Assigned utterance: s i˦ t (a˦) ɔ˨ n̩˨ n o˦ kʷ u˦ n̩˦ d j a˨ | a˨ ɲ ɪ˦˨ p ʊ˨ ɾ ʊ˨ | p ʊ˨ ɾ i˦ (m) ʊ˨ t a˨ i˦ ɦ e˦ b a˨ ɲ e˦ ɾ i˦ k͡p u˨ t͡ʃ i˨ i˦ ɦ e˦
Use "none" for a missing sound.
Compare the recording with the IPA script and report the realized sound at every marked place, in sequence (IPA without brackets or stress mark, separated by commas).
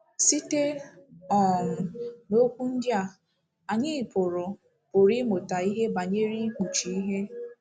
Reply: e˦, m